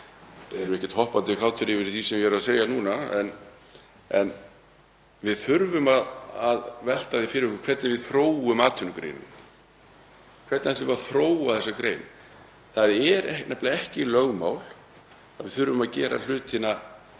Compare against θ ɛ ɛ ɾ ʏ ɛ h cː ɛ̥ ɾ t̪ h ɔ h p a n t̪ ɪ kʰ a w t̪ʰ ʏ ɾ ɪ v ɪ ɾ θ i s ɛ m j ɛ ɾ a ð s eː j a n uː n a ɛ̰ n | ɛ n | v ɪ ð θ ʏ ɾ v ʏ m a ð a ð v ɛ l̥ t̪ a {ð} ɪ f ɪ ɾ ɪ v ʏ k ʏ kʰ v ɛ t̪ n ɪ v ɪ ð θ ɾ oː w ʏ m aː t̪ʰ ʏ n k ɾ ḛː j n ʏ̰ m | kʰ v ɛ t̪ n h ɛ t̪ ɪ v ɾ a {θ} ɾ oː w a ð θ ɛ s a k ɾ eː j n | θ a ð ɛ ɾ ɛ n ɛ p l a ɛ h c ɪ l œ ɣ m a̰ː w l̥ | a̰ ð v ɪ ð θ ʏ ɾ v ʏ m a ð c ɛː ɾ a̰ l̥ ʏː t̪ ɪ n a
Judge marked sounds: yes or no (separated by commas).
yes, yes